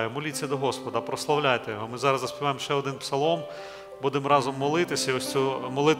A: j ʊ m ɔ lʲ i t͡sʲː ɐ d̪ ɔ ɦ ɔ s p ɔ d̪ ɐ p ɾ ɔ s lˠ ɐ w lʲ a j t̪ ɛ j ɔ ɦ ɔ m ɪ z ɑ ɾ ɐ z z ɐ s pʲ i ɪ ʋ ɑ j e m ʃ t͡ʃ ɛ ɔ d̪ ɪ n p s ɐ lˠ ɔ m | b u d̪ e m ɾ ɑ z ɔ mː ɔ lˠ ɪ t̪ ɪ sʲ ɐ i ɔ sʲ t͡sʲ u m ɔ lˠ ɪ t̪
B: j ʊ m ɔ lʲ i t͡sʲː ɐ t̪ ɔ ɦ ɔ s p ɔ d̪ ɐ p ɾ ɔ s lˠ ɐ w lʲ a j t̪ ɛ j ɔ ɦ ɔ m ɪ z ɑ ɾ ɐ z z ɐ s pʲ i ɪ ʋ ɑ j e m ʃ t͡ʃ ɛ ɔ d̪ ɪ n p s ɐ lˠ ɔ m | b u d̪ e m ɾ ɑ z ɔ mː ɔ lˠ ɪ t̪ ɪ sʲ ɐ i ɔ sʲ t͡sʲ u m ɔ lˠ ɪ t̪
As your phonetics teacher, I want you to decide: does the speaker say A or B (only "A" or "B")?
A